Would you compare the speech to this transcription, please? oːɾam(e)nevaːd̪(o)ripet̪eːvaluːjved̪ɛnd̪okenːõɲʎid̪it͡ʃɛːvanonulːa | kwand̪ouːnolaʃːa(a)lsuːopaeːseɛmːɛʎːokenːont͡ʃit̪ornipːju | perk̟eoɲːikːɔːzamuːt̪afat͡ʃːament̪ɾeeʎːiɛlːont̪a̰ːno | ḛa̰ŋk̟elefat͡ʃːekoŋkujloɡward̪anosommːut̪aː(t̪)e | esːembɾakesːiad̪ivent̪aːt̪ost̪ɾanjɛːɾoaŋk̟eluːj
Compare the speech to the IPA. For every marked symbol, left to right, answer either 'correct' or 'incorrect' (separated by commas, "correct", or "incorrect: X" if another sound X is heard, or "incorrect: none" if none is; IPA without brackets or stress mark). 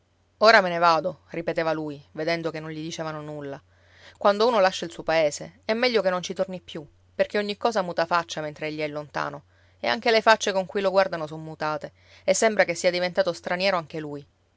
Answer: correct, correct, incorrect: i, correct